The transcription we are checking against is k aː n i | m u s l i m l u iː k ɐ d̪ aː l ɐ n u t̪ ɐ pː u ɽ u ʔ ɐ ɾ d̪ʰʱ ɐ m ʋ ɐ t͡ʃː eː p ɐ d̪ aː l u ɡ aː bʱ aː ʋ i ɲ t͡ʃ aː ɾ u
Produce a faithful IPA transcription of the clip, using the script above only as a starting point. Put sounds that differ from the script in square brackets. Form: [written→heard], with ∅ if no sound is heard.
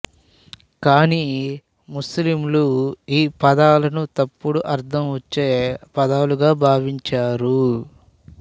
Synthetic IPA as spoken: k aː n i | m u s l i m l u iː [k→p] ɐ d̪ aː l ɐ n u t̪ ɐ pː u ɽ u ʔ ɐ ɾ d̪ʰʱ ɐ m ʋ ɐ t͡ʃː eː p ɐ d̪ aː l u ɡ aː bʱ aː ʋ i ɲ t͡ʃ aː ɾ u

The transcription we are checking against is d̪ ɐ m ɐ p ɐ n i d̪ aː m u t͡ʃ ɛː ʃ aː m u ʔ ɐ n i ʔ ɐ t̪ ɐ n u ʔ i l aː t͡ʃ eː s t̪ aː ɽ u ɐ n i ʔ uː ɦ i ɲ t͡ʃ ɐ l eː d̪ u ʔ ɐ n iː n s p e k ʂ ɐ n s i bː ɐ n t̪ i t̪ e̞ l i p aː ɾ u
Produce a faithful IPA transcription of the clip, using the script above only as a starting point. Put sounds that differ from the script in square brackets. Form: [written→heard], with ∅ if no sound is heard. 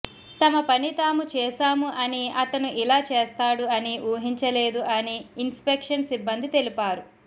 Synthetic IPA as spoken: [d̪→t̪] ɐ m ɐ p ɐ n i [d̪→t̪] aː m u t͡ʃ ɛː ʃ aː m u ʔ ɐ n i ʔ ɐ t̪ ɐ n u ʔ i l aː t͡ʃ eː s t̪ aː ɽ u ɐ n i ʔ uː ɦ i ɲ t͡ʃ ɐ l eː d̪ u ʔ ɐ n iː n s p e k ʂ ɐ n s i bː ɐ n [t̪→d̪] i t̪ e̞ l i p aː ɾ u

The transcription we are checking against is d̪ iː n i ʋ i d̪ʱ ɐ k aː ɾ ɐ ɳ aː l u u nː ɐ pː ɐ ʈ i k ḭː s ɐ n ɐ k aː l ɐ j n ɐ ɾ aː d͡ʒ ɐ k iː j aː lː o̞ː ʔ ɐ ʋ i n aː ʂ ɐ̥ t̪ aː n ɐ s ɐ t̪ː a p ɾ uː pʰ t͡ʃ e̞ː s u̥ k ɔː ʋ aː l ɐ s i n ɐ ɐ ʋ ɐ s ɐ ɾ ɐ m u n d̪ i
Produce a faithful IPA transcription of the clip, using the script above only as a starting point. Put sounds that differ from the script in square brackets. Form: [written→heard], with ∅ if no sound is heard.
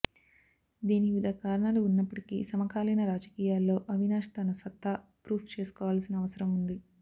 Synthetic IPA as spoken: d̪ iː n i ʋ i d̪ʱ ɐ k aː ɾ ɐ ɳ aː l u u nː ɐ pː ɐ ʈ i k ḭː s ɐ [n→m] ɐ k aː l ɐ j n ɐ ɾ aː d͡ʒ ɐ k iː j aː lː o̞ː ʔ ɐ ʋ i n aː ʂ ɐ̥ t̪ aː n ɐ s ɐ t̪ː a p ɾ uː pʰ t͡ʃ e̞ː s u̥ k ɔː ʋ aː l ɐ s i n ɐ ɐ ʋ ɐ s ɐ ɾ ɐ m u n d̪ i

